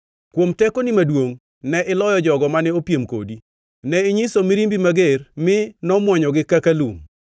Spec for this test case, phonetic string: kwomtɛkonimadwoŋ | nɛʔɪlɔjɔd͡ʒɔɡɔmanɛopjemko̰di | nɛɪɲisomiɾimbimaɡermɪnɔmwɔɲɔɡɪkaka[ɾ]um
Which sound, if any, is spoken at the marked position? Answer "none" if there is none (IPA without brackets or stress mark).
l